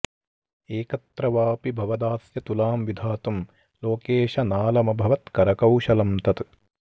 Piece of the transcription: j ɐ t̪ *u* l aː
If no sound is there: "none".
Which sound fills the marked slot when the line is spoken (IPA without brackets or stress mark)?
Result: u